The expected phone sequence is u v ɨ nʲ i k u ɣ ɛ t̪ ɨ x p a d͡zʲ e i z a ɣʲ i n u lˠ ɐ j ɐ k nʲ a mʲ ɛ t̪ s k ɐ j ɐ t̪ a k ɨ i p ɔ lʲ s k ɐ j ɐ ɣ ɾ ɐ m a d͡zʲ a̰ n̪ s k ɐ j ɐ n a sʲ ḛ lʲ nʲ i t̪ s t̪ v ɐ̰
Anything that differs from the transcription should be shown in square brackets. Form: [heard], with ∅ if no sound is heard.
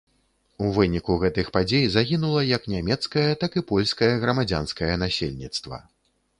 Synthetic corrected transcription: u v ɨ nʲ i k u ɣ ɛ t̪ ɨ x p a d͡zʲ e [j] z a ɣʲ i n u lˠ ɐ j ɐ k nʲ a mʲ ɛ t̪ s k ɐ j ɐ t̪ a k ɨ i p ɔ lʲ s k ɐ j ɐ ɣ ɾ ɐ m a d͡zʲ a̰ n̪ s k ɐ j ɐ n a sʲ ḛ lʲ nʲ i t̪ s t̪ v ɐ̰